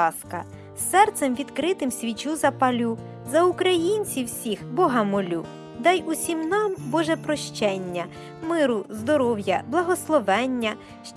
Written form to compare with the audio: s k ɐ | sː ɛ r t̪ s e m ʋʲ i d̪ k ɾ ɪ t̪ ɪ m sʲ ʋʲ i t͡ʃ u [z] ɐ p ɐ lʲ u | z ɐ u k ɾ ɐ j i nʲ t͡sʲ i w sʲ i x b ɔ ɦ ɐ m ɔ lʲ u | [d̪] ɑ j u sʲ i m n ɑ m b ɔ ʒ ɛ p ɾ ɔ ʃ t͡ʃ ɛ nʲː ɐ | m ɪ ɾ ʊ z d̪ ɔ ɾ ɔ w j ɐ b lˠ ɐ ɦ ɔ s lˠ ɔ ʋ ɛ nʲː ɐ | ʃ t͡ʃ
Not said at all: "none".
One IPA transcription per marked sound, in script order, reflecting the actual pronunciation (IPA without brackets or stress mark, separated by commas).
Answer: z, d̪